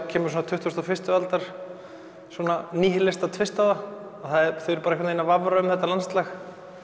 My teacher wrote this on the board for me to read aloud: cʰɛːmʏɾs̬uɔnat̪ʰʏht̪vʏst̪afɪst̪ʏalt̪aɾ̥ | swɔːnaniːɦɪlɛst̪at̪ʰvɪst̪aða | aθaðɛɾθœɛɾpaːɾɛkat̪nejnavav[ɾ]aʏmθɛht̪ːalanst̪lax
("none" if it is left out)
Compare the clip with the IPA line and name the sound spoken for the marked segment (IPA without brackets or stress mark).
ɾ